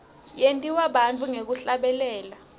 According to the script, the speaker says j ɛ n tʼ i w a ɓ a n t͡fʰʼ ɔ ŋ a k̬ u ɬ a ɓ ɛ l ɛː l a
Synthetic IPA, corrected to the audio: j e n tʼ i w a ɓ a n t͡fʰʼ u ŋ e k̬ u ɬ a ɓ ɛ l ɛː l a